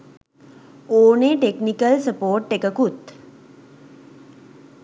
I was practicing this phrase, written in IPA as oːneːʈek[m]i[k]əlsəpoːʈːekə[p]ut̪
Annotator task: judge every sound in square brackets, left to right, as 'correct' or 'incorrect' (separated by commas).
incorrect, correct, incorrect